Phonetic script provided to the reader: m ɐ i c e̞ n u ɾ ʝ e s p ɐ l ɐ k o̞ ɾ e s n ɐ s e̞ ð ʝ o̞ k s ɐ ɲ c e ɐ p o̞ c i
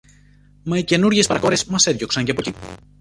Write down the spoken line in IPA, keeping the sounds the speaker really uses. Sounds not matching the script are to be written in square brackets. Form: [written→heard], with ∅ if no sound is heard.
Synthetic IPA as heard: m ɐ i c e̞ n u ɾ ʝ e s p ɐ [l→ɾ] ɐ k o̞ ɾ e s [n→m] ɐ s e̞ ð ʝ o̞ k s ɐ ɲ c e ɐ p o̞ c i